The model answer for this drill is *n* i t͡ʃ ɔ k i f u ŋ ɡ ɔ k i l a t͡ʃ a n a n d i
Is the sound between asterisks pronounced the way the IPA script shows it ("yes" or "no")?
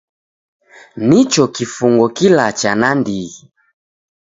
yes